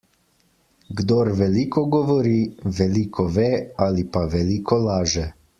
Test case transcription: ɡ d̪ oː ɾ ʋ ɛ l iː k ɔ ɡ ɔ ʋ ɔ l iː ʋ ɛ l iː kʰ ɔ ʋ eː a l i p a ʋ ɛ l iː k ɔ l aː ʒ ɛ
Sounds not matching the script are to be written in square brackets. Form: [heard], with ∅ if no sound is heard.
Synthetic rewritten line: ɡ d̪ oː ɾ ʋ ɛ l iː k ɔ ɡ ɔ ʋ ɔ [ɾ] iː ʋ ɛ l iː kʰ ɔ ʋ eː a l i p a ʋ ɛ l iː k ɔ l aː ʒ ɛ

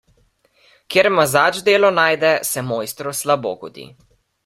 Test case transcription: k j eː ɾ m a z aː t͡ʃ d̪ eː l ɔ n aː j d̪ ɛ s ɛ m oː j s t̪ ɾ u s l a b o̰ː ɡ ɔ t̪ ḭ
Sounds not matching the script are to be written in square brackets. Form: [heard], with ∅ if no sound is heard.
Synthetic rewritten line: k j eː ɾ m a z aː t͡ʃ d̪ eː l ɔ n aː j d̪ ɛ s ɛ m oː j s t̪ ɾ [ɔ] s l a b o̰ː ɡ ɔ [d̪] ḭ

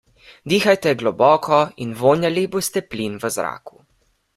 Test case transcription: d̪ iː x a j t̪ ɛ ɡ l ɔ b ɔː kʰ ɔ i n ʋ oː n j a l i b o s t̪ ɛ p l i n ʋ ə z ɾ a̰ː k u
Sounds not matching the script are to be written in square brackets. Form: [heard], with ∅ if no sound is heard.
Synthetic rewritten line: d̪ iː x a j t̪ ɛ ɡ l ɔ b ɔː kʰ ɔ i n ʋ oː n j a l i b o s t̪ ɛ p l i n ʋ ə z ɾ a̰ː k u

